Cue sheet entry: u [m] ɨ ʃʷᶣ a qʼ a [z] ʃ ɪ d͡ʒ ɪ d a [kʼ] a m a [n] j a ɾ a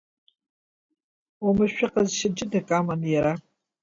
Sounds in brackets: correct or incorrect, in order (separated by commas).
correct, correct, correct, correct